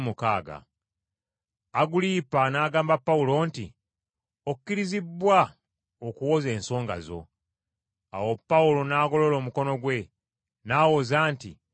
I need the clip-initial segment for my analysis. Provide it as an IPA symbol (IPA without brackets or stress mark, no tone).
m